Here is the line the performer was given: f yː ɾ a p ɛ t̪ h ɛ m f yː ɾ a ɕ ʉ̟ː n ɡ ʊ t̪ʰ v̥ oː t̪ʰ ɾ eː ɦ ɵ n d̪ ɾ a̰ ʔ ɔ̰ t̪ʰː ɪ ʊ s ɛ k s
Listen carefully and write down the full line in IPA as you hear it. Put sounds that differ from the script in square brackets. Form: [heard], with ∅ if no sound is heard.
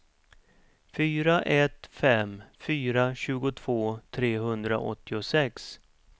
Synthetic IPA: f yː ɾ a [ʔ] ɛ t̪ [f] ɛ m f yː ɾ a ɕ ʉ̟ː [∅] ɡ ʊ t̪ʰ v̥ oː t̪ʰ ɾ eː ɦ ɵ n d̪ ɾ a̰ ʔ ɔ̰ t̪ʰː ɪ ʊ s ɛ k s